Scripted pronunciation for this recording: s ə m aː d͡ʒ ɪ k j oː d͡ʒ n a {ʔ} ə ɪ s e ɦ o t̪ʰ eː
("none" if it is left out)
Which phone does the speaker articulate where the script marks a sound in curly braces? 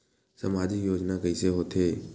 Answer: k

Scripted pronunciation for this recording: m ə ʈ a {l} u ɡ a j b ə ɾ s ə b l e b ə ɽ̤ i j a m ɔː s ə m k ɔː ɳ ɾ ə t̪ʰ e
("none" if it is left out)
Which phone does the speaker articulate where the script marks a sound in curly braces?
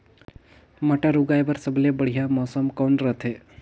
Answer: ɾ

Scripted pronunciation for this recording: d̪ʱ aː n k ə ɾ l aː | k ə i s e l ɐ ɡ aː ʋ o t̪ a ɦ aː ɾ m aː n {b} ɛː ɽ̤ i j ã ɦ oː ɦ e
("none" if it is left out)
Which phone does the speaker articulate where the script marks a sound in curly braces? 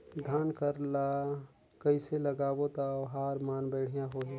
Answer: b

